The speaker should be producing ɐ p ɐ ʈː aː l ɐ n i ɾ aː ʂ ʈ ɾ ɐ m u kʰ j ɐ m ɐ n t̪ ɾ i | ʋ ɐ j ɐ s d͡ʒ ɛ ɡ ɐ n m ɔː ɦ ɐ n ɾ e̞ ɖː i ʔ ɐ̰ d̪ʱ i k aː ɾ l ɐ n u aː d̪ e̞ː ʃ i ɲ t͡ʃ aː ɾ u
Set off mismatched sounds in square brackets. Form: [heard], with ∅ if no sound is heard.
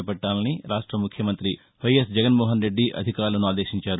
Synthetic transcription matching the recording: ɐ p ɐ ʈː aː l ɐ n i ɾ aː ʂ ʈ ɾ ɐ m u kʰ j ɐ m ɐ n t̪ ɾ i | ʋ ɐ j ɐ s d͡ʒ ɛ ɡ ɐ n m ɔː ɦ ɐ n ɾ e̞ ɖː i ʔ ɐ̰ d̪ʱ i k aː ɾ l ɐ n u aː d̪ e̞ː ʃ i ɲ t͡ʃ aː ɾ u